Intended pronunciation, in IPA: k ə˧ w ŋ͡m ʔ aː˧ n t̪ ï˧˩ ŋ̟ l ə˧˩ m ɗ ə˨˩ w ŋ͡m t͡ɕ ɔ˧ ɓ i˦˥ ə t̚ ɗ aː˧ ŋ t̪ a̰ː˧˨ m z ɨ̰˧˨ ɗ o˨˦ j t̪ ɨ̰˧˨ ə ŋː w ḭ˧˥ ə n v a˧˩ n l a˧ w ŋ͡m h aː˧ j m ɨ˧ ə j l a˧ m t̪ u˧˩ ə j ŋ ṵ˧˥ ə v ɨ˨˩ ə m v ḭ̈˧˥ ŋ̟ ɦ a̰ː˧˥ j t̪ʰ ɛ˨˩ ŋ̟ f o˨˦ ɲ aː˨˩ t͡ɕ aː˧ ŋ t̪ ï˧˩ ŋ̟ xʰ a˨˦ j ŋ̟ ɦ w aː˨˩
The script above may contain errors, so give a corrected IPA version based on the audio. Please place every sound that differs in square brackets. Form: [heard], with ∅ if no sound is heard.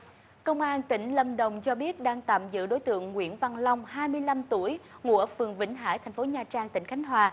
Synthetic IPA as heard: k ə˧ w ŋ͡m ʔ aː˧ n t̪ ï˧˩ ŋ̟ l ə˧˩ m ɗ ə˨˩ w ŋ͡m t͡ɕ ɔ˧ ɓ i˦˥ ə t̚ ɗ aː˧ ŋ t̪ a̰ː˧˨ m z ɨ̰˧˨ ɗ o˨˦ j t̪ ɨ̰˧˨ ə ŋː w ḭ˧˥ ə n v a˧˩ n l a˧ w ŋ͡m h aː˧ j m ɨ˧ ə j l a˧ m t̪ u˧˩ ə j ŋ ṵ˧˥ ə [f] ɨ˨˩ ə [ŋ] v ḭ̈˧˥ ŋ̟ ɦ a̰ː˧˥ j t̪ʰ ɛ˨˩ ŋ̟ f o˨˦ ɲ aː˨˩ t͡ɕ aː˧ ŋ t̪ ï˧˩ ŋ̟ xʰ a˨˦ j ŋ̟ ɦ w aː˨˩